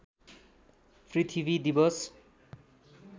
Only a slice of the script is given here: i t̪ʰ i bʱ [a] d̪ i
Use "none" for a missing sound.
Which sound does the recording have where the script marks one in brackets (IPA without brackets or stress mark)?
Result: i